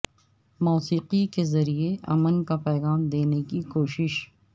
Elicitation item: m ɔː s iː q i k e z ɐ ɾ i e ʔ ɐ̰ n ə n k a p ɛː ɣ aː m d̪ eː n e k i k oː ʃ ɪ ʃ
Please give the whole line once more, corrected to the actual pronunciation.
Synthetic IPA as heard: m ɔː s iː q i k e z ɐ ɾ i e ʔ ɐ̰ m ə n k a p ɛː ɣ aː m d̪ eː n e k i k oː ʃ ɪ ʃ